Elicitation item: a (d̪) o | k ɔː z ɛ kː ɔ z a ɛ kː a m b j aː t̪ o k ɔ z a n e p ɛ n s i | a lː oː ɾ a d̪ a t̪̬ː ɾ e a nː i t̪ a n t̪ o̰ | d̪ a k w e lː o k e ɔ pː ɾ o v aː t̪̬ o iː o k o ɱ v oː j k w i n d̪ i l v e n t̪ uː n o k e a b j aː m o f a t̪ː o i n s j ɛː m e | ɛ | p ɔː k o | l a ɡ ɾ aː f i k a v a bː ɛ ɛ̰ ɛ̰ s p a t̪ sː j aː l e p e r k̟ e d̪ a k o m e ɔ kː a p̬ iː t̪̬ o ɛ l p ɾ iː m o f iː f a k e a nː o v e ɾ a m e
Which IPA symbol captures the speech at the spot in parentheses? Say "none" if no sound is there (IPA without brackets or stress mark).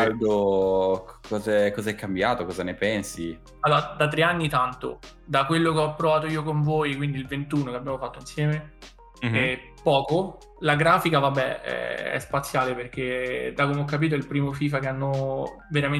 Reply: d̪